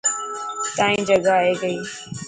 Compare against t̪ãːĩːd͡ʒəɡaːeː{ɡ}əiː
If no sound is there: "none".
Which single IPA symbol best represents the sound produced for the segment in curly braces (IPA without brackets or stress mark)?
ɡ